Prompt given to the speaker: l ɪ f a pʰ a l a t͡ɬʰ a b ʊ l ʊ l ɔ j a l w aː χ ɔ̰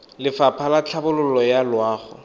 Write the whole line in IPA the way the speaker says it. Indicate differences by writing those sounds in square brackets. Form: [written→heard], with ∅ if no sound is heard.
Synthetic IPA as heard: l ɪ f a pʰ a l a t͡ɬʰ a b ʊ l ʊ l ɔ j a l w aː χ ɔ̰